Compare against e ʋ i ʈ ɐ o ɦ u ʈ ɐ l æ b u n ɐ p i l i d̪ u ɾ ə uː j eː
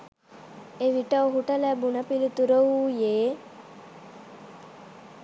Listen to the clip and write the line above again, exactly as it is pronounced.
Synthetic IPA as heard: e ʋ i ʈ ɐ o ɦ u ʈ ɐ l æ b u n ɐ p i l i t̪ u ɾ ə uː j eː